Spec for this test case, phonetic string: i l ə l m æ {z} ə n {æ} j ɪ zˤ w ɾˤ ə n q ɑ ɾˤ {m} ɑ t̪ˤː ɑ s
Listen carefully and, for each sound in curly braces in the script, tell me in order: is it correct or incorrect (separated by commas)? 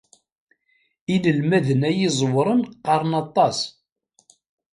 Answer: incorrect, correct, incorrect